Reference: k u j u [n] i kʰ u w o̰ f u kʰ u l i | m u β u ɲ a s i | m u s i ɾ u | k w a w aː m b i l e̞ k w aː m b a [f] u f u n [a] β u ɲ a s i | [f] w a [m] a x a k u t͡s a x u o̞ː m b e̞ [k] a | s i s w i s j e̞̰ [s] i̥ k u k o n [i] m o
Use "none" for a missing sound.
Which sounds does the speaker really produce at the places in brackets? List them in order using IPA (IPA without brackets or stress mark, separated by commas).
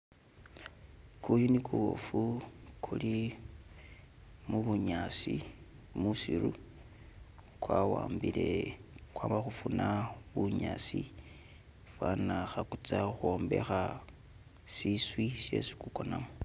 n, x, a, f, n, x, s, a